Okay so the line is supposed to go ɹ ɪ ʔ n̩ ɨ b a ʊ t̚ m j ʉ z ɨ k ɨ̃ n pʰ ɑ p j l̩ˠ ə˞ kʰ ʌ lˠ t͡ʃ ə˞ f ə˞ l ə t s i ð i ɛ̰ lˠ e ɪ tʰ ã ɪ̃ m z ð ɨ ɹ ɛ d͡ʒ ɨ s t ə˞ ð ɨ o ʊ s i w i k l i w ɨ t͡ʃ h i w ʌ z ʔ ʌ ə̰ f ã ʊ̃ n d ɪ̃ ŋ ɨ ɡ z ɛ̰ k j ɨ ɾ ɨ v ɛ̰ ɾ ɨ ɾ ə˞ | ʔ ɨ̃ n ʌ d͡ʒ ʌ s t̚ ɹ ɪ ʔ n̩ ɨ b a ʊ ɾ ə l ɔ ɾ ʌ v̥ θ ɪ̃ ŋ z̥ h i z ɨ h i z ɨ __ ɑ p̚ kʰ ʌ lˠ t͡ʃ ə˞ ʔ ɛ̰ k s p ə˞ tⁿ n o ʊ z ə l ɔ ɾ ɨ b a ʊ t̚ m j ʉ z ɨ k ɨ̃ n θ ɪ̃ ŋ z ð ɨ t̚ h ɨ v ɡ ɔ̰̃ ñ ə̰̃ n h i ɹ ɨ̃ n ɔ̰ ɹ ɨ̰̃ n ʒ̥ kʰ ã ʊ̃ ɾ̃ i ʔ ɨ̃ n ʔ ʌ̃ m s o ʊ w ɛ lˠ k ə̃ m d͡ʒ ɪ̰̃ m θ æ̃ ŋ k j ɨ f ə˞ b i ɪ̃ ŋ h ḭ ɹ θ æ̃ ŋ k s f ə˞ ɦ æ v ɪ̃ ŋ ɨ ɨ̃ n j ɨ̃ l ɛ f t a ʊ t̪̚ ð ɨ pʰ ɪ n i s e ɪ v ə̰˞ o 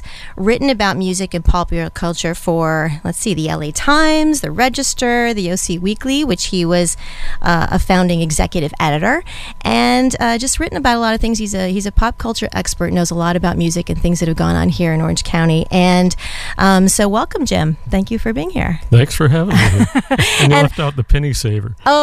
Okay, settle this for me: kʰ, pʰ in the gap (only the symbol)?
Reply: pʰ